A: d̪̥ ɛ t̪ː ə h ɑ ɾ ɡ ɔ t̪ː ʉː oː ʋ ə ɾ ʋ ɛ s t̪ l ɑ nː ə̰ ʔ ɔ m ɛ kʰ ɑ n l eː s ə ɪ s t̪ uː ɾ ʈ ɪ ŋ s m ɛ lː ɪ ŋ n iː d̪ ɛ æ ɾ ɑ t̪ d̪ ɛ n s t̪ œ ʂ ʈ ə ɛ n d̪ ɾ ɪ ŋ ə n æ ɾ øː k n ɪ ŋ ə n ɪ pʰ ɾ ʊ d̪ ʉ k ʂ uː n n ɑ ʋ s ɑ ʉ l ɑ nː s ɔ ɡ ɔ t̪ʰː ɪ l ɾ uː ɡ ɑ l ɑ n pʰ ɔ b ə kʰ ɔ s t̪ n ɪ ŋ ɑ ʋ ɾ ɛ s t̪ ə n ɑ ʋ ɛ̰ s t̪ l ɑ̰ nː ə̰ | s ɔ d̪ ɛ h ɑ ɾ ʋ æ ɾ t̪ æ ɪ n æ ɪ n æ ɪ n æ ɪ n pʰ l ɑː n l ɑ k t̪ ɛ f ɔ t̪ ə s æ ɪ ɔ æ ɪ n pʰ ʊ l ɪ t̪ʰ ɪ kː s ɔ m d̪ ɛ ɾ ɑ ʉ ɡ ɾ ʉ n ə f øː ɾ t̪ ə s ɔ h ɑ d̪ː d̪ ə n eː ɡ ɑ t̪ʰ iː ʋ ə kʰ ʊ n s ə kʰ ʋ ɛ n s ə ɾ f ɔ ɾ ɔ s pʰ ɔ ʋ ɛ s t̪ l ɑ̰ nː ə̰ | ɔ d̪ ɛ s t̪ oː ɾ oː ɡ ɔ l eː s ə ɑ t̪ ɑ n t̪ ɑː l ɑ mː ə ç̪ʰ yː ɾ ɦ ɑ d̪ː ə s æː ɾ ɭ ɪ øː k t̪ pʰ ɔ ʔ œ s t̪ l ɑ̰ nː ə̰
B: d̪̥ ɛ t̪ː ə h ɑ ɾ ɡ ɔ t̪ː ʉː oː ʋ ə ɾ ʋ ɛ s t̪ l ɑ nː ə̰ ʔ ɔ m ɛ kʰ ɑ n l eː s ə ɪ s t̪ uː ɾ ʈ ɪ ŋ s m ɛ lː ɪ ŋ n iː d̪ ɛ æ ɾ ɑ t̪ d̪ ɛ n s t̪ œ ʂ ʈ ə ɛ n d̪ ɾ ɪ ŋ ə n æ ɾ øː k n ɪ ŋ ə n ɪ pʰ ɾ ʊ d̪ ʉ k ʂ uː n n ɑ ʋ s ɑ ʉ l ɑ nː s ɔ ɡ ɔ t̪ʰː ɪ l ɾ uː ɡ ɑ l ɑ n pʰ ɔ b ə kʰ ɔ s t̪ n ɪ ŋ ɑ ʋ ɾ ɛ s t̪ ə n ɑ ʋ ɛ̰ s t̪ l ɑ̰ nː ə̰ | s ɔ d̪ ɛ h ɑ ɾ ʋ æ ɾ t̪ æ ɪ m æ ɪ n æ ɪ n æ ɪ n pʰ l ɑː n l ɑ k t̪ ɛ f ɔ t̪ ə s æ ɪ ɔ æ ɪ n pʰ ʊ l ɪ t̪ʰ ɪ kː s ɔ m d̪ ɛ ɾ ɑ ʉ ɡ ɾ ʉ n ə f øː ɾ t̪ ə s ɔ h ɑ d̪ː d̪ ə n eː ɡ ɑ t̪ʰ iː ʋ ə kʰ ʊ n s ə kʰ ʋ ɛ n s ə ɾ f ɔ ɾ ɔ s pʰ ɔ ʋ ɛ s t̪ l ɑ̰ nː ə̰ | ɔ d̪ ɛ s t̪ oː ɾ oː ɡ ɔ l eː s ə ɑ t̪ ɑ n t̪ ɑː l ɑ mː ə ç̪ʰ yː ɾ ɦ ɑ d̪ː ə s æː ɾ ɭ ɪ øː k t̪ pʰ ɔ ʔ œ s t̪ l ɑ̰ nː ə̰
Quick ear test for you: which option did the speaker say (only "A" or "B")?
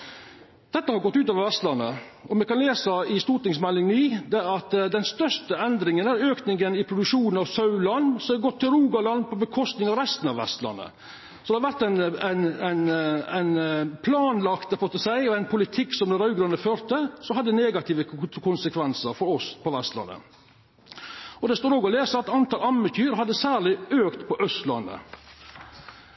A